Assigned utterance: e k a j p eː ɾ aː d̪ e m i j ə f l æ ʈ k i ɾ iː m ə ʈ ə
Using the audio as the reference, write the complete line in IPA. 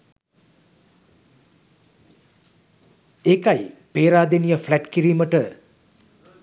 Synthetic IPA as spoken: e k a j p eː ɾ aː d̪ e n i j ə f l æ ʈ k i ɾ iː m ə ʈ ə